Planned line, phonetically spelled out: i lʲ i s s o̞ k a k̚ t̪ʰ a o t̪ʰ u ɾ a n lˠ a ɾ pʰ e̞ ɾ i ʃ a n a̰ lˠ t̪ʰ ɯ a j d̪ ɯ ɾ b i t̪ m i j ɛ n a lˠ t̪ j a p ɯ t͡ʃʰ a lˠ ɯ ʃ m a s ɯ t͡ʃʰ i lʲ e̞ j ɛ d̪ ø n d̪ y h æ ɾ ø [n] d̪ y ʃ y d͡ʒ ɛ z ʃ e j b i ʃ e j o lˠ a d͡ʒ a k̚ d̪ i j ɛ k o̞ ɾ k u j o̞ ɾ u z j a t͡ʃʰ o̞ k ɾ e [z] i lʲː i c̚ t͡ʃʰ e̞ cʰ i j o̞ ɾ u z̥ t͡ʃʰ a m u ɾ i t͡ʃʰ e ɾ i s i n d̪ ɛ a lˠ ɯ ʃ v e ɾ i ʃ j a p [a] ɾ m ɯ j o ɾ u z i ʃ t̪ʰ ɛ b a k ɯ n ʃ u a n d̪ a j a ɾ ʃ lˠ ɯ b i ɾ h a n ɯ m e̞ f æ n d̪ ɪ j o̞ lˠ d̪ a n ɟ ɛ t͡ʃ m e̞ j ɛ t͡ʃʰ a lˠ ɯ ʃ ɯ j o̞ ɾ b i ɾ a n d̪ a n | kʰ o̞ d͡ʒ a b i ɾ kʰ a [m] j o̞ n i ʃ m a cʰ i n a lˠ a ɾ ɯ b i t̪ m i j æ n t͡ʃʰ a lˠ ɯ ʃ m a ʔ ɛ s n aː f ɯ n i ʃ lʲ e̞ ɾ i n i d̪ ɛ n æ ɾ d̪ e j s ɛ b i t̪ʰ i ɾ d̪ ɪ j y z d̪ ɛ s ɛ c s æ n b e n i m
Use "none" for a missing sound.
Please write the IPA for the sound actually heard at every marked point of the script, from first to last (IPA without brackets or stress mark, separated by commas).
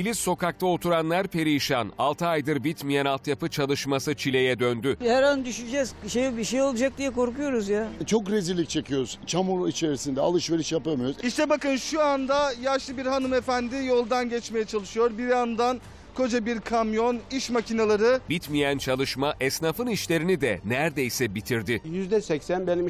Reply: n, z, a, m